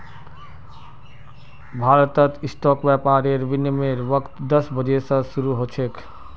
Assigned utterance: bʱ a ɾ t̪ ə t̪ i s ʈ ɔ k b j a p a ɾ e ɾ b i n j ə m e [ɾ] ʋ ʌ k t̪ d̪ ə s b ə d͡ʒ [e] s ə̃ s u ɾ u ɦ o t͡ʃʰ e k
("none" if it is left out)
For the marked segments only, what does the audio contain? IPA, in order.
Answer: ɾ, e

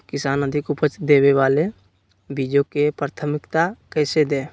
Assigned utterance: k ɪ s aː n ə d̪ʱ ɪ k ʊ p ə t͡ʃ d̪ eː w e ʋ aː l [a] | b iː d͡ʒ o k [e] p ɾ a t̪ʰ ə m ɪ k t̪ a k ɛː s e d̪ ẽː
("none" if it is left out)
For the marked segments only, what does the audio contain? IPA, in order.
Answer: e, e

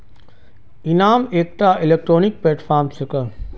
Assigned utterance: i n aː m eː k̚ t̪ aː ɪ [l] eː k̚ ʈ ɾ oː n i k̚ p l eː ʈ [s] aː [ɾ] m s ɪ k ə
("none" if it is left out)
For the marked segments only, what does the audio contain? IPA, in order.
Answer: l, f, ɾ

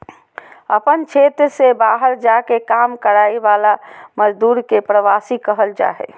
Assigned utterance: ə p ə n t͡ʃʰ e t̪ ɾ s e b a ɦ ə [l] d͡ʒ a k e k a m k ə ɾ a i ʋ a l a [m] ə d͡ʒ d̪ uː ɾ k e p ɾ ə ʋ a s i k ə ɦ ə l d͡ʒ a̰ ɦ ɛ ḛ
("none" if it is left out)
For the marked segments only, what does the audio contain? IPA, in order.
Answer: ɾ, m

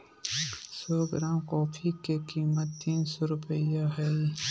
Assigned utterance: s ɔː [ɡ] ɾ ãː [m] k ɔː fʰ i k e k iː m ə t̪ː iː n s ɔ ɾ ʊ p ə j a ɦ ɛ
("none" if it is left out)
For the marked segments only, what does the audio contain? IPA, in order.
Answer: ɡ, m

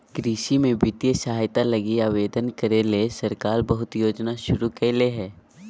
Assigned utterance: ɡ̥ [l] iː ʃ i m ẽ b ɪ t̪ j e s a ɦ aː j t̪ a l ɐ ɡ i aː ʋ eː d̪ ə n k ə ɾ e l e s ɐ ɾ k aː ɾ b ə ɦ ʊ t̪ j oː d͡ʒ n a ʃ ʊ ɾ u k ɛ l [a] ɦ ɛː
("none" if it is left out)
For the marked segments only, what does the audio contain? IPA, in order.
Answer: ɾ, e

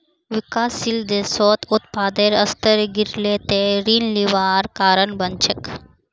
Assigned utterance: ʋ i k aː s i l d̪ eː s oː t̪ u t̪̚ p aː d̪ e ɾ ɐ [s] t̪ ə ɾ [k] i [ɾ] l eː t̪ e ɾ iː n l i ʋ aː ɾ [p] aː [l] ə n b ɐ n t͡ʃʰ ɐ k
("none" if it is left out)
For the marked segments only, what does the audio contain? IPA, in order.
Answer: s, ɡ, ɾ, k, ɾ

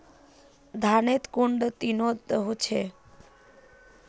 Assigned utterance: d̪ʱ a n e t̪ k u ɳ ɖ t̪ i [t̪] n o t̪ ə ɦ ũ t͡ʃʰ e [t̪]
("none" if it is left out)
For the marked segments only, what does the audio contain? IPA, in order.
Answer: none, none

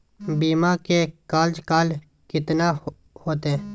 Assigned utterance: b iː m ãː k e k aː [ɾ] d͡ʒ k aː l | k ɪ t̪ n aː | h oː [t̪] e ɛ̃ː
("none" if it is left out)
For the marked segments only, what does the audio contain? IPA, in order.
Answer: l, t̪

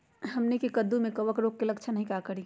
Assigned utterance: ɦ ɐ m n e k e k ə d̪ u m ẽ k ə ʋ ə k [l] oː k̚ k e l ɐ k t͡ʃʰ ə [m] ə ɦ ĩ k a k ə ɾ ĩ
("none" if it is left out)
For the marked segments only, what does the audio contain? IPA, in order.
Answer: ɾ, n

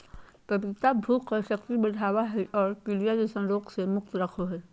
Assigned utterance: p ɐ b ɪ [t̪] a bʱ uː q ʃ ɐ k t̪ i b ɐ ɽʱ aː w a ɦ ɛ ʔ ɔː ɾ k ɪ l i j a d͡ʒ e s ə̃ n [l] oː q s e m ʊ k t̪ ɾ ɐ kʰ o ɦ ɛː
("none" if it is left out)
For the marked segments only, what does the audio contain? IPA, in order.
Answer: t̪, ɾ

